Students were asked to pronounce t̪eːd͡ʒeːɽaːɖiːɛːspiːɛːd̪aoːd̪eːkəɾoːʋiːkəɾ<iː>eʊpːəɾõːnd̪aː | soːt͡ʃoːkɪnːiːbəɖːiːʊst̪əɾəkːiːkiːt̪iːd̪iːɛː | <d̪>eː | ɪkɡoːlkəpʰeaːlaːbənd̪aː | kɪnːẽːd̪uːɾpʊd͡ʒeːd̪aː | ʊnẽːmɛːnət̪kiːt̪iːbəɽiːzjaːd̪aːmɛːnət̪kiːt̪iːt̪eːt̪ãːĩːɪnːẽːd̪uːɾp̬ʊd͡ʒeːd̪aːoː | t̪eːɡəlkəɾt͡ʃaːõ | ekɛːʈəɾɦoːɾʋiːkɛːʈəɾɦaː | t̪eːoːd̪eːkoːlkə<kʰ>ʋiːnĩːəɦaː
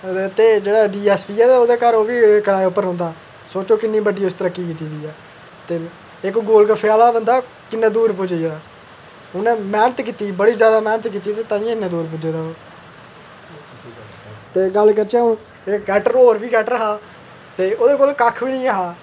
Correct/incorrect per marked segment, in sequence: incorrect: aː, incorrect: t̪, correct

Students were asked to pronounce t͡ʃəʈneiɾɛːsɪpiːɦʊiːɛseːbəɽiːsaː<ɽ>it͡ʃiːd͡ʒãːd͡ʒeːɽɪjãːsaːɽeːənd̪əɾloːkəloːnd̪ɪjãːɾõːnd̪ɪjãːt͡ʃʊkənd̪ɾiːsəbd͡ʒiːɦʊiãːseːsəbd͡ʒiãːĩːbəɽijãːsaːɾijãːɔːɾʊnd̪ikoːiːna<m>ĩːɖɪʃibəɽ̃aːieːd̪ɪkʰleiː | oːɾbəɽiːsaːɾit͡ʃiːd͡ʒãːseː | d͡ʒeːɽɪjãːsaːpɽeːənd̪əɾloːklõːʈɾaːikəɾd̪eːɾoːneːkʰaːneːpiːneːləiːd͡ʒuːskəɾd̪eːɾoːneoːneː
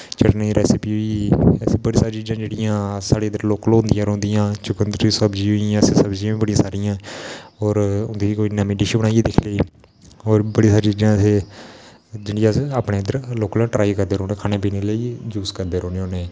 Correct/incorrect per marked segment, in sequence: incorrect: ɾ, correct

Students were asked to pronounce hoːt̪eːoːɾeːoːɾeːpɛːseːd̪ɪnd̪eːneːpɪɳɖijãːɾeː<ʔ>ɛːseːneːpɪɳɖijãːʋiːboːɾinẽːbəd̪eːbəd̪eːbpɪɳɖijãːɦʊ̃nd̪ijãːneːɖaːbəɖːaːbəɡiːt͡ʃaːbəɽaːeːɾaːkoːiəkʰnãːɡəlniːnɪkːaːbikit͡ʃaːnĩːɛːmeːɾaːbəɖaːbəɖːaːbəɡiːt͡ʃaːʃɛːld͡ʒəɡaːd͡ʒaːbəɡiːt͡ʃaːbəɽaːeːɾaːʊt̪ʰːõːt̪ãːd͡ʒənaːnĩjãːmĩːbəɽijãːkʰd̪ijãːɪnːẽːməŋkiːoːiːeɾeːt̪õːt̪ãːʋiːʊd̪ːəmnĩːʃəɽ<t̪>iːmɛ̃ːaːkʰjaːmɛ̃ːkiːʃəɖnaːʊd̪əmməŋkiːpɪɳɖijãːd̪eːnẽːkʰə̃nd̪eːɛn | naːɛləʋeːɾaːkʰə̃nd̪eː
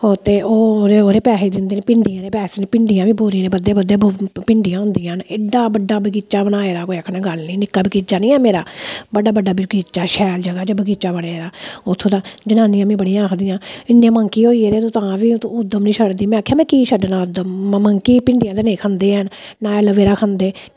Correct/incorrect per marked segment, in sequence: incorrect: p, incorrect: d̪

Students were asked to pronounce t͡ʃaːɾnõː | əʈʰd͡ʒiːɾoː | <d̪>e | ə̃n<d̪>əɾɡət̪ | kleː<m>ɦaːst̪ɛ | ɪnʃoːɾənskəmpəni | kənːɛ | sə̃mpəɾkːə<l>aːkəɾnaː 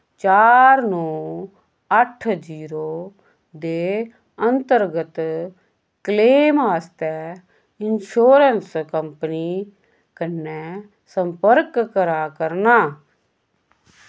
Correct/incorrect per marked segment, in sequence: correct, incorrect: t̪, correct, incorrect: ɾ

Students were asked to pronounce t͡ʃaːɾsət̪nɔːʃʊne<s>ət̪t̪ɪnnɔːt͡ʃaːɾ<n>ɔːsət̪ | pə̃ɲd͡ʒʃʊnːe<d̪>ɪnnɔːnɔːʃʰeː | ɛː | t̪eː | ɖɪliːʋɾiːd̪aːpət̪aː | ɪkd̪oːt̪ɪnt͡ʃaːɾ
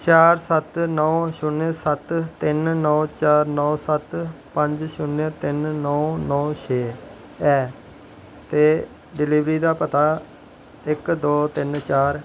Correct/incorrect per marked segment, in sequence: correct, correct, incorrect: t̪

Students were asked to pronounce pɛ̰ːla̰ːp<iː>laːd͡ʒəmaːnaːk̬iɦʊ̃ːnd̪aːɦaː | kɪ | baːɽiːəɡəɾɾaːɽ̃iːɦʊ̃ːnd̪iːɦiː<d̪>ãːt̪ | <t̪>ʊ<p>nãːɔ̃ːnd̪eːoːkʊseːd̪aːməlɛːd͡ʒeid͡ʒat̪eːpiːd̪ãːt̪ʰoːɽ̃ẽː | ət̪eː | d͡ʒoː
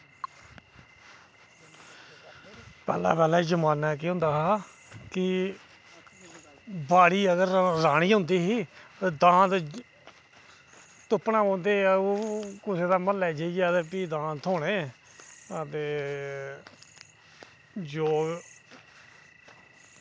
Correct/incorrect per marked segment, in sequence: incorrect: ɛː, correct, correct, correct

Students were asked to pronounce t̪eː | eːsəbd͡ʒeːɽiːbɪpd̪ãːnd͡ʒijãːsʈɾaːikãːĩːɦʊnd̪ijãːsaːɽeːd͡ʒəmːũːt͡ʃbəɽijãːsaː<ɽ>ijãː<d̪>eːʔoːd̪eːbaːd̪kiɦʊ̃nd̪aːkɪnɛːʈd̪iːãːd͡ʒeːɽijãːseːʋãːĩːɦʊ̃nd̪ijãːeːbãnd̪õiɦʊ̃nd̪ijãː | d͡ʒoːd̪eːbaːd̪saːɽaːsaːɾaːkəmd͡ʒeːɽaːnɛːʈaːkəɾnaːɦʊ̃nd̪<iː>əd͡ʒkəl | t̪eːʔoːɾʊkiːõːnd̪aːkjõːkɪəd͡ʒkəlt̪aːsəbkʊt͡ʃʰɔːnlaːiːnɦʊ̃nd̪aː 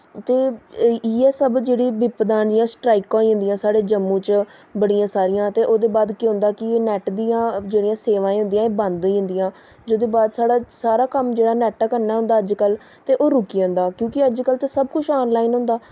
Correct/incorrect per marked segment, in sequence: incorrect: ɾ, incorrect: t̪, incorrect: aː

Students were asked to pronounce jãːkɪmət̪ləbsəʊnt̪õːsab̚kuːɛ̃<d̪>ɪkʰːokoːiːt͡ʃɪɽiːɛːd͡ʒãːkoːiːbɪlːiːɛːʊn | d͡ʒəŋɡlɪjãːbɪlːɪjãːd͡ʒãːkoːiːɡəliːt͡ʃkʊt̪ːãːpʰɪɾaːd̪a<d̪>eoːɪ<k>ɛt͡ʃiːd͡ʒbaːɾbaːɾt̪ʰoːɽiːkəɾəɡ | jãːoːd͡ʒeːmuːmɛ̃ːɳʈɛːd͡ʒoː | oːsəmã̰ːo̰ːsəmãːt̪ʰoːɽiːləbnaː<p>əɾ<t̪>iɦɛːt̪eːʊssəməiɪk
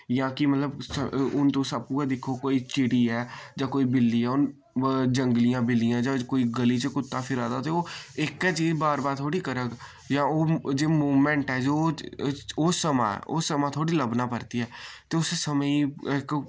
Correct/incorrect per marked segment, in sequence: correct, incorrect: t̪, correct, correct, correct

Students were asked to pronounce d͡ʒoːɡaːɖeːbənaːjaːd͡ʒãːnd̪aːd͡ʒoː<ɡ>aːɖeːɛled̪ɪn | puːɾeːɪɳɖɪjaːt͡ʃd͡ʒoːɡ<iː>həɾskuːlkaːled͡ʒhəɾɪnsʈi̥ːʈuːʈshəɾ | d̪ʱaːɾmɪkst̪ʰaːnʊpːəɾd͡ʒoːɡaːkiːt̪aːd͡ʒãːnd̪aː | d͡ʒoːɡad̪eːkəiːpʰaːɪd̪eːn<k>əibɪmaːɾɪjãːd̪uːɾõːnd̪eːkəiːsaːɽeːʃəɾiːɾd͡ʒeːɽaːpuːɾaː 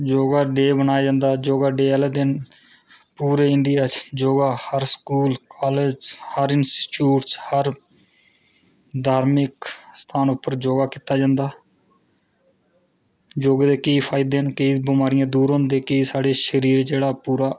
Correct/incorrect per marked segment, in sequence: correct, incorrect: aː, correct

